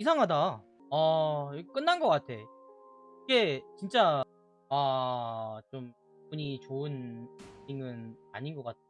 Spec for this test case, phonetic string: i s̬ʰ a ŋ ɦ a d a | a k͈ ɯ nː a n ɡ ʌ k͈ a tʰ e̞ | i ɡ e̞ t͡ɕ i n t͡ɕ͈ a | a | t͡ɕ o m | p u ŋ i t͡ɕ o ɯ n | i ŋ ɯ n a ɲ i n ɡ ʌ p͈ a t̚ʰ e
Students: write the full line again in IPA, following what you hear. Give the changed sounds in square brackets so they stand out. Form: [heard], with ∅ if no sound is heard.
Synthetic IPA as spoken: i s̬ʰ a ŋ ɦ a d a | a k͈ ɯ nː a n ɡ ʌ k͈ a tʰ e̞ | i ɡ e̞ t͡ɕ i n t͡ɕ͈ a | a | t͡ɕ o m | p u [ɲ] i t͡ɕ o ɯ n | i ŋ ɯ n a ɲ i n ɡ ʌ [k͈] a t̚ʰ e